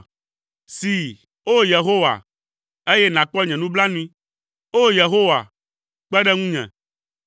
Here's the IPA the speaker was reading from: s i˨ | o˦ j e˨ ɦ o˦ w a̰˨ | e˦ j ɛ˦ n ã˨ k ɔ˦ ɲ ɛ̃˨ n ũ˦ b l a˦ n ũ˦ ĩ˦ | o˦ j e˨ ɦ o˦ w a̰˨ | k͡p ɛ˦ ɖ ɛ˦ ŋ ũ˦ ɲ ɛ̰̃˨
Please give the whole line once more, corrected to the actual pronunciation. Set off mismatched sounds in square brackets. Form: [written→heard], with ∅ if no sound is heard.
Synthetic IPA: s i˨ | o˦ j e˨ ɦ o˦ w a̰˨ | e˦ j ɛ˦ n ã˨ [k→k͡p] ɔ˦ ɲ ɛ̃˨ n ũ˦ b l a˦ n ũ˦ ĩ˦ | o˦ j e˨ ɦ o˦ w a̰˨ | k͡p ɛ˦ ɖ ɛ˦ ŋ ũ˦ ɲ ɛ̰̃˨